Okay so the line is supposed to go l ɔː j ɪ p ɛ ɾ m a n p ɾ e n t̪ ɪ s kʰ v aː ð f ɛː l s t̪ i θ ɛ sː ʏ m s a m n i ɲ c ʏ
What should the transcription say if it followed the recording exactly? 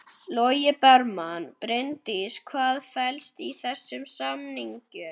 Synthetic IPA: l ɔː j ɪ p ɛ ɾ m a n p ɾ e n t̪ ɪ s kʰ v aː ð f ɛ l s t̪ i θ ɛ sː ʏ m s a m n i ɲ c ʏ